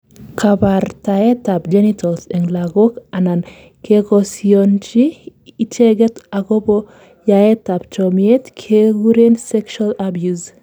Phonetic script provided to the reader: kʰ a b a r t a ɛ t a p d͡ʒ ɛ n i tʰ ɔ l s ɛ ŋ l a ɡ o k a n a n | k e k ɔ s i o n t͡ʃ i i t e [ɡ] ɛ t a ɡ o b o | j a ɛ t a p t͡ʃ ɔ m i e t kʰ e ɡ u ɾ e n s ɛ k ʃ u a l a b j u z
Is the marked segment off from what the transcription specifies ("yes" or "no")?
no